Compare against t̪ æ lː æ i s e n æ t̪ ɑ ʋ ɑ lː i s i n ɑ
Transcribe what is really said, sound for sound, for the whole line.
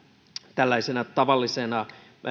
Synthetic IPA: t̪ æ lː æ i s e n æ t̪ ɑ ʋ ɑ lː i s e n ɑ